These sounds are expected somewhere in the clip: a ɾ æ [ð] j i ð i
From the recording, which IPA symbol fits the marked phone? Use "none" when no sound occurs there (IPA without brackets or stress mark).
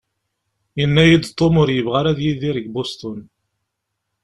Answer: ð